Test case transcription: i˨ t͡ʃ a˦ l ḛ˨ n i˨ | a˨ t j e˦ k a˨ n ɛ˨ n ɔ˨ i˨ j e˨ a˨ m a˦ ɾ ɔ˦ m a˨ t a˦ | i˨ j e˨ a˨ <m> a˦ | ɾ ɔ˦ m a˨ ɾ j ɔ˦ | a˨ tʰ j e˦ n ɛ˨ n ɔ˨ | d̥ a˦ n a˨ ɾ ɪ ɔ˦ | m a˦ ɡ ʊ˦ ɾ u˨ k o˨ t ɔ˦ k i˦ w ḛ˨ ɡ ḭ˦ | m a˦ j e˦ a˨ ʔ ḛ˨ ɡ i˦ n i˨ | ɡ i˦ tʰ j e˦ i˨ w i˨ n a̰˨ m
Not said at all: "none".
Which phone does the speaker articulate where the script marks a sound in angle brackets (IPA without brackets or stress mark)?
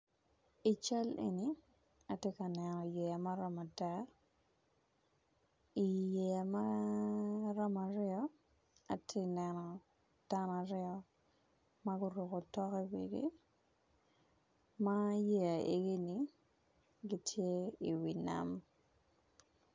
m